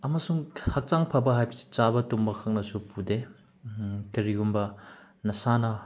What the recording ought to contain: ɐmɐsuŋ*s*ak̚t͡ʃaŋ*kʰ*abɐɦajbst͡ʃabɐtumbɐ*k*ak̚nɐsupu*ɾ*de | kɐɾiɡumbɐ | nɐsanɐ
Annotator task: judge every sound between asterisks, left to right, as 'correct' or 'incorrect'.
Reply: incorrect, incorrect, incorrect, incorrect

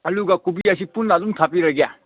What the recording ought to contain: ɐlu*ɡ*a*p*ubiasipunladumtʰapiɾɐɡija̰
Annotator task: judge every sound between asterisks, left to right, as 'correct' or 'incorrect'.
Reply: correct, incorrect

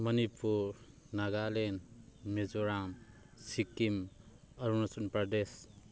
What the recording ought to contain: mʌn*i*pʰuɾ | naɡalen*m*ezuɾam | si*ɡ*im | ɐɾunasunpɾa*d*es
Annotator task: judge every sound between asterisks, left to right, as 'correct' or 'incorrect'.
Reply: correct, correct, incorrect, correct

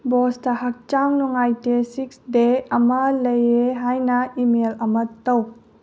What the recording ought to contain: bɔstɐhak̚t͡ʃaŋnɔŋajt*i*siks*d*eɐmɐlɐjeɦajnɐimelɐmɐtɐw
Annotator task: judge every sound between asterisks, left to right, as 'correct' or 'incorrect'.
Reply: incorrect, correct

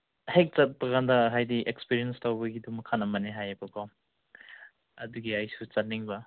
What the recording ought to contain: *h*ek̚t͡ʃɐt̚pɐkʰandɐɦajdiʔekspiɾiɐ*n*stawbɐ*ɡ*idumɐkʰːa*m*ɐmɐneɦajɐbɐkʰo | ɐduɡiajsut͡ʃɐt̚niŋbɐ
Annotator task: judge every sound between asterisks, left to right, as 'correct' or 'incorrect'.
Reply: correct, correct, correct, incorrect

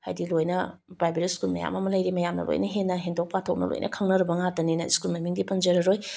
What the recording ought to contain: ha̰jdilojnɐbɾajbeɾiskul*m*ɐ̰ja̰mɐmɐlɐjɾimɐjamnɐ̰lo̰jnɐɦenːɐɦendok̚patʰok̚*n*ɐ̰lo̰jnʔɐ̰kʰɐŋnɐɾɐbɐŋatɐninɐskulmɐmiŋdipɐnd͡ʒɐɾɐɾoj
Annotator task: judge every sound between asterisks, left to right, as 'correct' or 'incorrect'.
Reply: correct, correct

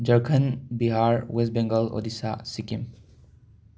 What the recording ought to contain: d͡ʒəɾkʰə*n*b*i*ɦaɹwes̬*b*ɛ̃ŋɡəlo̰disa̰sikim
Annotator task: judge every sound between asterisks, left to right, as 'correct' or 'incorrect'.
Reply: correct, correct, correct

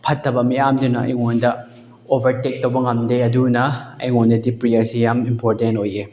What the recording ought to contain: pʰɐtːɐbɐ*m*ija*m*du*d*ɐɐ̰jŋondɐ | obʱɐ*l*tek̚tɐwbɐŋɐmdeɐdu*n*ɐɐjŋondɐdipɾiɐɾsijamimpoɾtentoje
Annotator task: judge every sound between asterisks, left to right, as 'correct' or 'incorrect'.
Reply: correct, correct, incorrect, incorrect, correct

